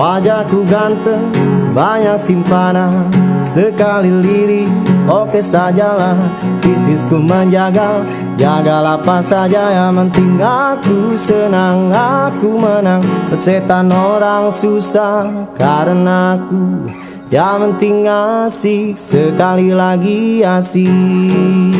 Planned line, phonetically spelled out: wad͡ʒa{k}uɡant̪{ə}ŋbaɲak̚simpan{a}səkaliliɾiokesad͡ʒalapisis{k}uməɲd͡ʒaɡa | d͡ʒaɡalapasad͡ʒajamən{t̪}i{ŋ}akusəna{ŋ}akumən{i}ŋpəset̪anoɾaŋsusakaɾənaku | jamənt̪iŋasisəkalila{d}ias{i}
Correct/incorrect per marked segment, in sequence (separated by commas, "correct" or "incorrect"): correct, correct, correct, correct, correct, correct, correct, incorrect, incorrect, correct